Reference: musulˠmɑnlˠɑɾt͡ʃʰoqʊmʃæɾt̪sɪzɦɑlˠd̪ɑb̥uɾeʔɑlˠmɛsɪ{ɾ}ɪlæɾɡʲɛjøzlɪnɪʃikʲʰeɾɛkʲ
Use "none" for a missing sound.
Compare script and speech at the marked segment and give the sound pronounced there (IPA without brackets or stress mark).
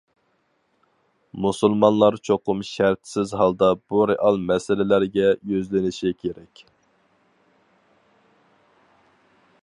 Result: l